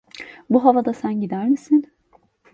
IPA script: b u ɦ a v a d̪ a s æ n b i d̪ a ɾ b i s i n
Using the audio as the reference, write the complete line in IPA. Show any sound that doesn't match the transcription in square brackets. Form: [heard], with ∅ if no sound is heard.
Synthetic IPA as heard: b u ɦ a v a d̪ a s æ n [ɟ] i d̪ [æ] ɾ [m] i s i n